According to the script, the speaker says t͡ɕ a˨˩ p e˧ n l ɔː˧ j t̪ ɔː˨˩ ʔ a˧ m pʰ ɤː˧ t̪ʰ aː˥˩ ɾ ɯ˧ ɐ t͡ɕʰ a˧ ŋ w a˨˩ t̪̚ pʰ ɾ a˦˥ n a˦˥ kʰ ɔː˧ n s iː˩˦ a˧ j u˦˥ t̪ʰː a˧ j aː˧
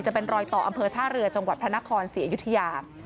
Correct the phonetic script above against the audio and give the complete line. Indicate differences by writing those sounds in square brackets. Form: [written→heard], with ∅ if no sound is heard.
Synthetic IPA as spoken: t͡ɕ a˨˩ p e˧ n [l→ɾ] ɔː˧ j t̪ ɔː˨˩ ʔ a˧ m pʰ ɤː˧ t̪ʰ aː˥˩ ɾ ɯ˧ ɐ [t͡ɕʰ→t͡ɕ] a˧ ŋ w a˨˩ t̪̚ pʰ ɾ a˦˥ n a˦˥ kʰ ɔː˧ n s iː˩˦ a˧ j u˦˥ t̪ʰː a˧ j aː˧